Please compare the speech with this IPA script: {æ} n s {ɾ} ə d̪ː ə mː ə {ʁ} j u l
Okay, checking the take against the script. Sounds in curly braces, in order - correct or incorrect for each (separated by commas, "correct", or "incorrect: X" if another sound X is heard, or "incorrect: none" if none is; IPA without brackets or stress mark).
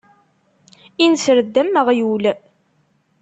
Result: incorrect: i, correct, correct